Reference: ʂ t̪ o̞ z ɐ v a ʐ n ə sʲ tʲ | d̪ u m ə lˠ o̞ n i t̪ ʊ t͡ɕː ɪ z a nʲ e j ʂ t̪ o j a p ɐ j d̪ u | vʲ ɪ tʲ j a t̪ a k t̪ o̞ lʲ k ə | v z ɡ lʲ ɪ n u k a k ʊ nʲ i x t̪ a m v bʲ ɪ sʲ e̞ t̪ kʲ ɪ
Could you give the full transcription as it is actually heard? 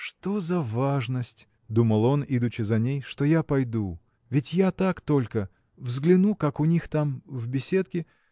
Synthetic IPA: ʂ t̪ o̞ z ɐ v a ʐ n ə sʲ tʲ | d̪ u m ə lˠ o̞ n i d̪ ʊ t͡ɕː ɪ z ɐ nʲ e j ʂ t̪ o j a p ɐ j d̪ u | vʲ ɪ tʲ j a t̪ a k t̪ o̞ lʲ k ə | v z ɡ lʲ ɪ n u k a k ʊ nʲ i x t̪ a m v bʲ ɪ sʲ e̞ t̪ kʲ ɪ